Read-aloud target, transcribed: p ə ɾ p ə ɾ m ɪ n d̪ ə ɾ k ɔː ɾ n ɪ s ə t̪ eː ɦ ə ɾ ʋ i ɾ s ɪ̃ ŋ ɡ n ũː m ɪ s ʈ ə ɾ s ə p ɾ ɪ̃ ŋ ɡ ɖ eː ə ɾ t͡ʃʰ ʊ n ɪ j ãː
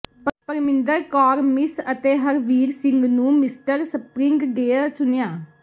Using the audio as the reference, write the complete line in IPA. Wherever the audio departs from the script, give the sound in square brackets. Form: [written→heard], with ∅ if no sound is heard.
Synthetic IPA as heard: p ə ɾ p ə ɾ m ɪ n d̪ ə ɾ k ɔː ɾ [n→m] ɪ s ə t̪ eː ɦ ə ɾ ʋ [i→iː] ɾ s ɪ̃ ŋ ɡ n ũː m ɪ s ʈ ə ɾ s ə p ɾ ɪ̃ ŋ ɡ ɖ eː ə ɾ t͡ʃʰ ʊ n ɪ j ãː